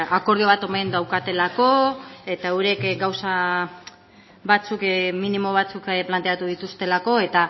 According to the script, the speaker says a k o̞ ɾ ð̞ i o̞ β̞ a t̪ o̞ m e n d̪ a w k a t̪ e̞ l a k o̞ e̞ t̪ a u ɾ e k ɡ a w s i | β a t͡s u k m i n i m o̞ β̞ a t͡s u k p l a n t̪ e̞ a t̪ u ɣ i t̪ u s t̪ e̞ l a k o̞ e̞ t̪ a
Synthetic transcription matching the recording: a k o̞ ɾ ð̞ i o̞ β̞ a t̪ o̞ m e n d̪ a w k a t̪ e̞ l a k o̞ e̞ t̪ a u ɾ e k ɡ a w s a | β a t͡s u k m i n i m o̞ β̞ a t͡s u k p l a n t̪ e̞ a t̪ u ð i t̪ u s t̪ e̞ l a k o̞ e̞ t̪ a

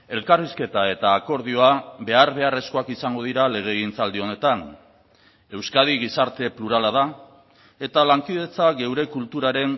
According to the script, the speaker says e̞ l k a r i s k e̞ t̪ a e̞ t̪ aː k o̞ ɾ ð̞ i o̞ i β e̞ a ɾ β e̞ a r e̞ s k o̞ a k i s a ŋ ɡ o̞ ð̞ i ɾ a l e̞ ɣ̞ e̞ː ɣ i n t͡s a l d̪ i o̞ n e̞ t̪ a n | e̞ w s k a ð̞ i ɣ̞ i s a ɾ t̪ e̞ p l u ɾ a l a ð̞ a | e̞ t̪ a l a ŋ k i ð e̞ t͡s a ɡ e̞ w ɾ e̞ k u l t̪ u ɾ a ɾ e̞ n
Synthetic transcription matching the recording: e̞ l k a r i s k e̞ t̪ a e̞ t̪ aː k o̞ ɾ ð̞ i o̞ a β e̞ a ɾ β e̞ a r e̞ s k o̞ a k i s a ŋ ɡ o̞ ð̞ i ɾ a l e̞ ɣ̞ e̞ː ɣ i n t͡s a l d̪ i o̞ n e̞ t̪ a n | e̞ w s k a ð̞ i ɣ̞ i s a ɾ t̪ e̞ p l u ɾ a l a ð̞ a | e̞ t̪ a l a ŋ k i ð e̞ t͡s a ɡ e̞ w ɾ e̞ k u l t̪ u ɾ a ɾ e̞ n

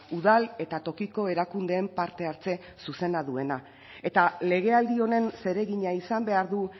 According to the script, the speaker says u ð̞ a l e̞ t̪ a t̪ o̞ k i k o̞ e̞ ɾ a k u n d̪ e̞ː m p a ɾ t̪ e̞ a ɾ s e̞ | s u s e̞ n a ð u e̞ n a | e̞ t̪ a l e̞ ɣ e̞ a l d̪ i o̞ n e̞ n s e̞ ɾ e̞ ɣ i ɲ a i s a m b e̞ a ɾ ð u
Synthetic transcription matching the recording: u ð̞ a l e̞ t̪ a t̪ o̞ k i k o̞ e̞ ɾ a k u n d̪ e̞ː m p a ɾ t̪ e̞ a ɾ t͡s e̞ | s u s e̞ n a ð u e̞ n a | e̞ t̪ a l e̞ ɣ e̞ a l d̪ i o̞ n e̞ n s e̞ ɾ e̞ ɣ i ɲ a i s a m b e̞ a ɾ ð u

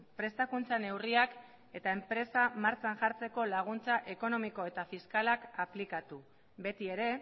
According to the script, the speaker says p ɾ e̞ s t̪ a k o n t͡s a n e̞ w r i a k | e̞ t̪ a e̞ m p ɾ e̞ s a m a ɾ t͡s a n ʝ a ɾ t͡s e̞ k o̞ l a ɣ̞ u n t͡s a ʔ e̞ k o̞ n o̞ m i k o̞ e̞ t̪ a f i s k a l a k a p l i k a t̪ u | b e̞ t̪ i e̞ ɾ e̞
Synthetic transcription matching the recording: p ɾ e̞ s t̪ a k u n t͡s a n e̞ w r i a k | e̞ t̪ a e̞ m p ɾ e̞ s a m a ɾ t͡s a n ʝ a ɾ t͡s e̞ k o̞ l a ɣ̞ u n t͡s a ʔ e̞ k o̞ n o̞ m i k o̞ e̞ t̪ a f i s k a l a k a p l i k a t̪ u | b e̞ t̪ i e̞ ɾ e̞

